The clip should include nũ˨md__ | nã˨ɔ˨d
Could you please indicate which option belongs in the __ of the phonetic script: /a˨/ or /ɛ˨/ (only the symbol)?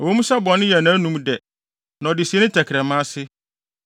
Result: ɛ˨